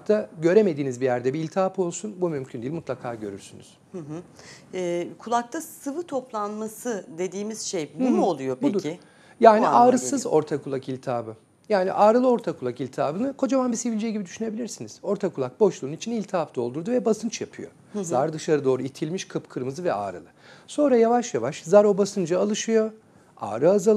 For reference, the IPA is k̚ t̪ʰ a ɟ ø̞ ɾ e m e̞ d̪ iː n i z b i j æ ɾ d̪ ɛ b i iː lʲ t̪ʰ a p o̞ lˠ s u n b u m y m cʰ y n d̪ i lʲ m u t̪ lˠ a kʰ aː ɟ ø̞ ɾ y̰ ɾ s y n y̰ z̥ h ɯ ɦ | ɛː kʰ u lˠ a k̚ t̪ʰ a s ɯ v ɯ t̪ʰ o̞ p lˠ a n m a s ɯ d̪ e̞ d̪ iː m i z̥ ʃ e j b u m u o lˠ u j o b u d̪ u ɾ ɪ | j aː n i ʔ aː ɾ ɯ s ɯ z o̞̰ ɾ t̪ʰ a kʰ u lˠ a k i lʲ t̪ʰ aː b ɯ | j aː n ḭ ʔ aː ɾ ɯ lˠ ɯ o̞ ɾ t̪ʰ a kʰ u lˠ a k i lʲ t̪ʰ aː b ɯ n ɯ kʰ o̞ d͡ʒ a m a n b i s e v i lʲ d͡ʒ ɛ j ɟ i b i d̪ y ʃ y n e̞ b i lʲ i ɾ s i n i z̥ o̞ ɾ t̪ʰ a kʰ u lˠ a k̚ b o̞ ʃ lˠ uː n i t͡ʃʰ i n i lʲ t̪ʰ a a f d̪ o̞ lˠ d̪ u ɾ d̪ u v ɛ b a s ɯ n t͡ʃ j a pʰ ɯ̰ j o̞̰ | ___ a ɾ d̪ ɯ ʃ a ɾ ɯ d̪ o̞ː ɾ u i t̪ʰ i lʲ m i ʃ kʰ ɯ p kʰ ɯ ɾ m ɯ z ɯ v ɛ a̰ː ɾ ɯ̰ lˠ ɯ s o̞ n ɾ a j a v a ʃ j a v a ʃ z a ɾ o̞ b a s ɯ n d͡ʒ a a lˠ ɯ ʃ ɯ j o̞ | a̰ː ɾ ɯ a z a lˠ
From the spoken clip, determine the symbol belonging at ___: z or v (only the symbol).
z